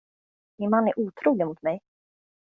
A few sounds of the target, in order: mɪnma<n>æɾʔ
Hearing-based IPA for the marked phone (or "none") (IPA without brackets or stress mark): nː